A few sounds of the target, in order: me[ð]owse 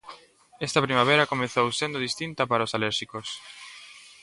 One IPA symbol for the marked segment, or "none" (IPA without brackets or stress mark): θ